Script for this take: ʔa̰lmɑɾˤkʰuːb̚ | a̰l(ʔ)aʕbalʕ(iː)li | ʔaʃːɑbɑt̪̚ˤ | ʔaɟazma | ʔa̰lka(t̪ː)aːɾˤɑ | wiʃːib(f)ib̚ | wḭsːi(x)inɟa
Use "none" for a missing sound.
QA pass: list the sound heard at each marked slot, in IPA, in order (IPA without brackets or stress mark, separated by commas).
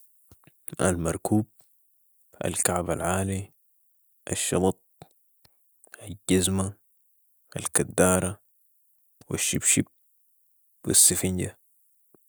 k, aː, d̪ː, ʃ, f